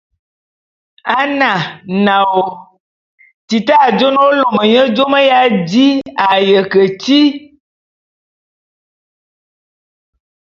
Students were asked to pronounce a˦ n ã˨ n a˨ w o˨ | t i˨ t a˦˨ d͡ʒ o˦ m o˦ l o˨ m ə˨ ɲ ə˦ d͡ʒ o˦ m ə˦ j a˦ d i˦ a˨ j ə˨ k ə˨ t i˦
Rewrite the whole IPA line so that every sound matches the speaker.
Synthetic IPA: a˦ n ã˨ n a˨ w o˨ | t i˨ t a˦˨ d͡ʒ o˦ n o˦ l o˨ m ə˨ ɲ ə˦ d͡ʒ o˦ m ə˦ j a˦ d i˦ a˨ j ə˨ k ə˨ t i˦